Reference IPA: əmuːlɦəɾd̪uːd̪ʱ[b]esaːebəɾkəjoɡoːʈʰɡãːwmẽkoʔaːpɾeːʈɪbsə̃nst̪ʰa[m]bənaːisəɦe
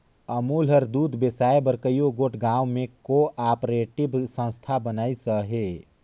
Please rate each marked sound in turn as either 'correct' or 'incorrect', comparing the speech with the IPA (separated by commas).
correct, incorrect